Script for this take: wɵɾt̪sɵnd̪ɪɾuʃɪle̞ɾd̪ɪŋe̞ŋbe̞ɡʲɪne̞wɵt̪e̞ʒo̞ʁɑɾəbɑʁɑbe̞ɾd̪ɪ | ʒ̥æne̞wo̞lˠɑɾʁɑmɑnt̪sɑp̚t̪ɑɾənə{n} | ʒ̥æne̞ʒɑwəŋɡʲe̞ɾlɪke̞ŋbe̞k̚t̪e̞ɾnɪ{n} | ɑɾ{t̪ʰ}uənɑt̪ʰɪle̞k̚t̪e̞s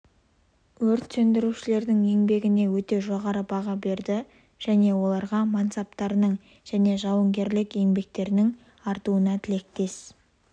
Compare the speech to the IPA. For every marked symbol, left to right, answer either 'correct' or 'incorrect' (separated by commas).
incorrect, incorrect, incorrect